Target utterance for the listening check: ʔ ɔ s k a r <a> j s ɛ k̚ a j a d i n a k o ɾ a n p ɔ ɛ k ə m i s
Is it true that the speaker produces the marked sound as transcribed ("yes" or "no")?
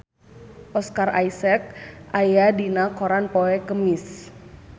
yes